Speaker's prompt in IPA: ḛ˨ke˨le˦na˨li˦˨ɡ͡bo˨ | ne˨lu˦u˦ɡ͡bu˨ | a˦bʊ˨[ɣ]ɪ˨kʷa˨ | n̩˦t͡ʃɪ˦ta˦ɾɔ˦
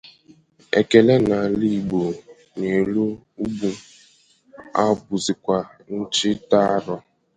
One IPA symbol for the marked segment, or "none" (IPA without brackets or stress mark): z